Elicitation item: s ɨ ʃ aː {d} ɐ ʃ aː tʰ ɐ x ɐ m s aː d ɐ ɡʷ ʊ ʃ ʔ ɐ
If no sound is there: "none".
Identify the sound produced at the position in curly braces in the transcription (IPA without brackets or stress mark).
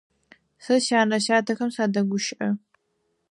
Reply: n